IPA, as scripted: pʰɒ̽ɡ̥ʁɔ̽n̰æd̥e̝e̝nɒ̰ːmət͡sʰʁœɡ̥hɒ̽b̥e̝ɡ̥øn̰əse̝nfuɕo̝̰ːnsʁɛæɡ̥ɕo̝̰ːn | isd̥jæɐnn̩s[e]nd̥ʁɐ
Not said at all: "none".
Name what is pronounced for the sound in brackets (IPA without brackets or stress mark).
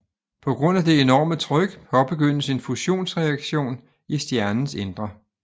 e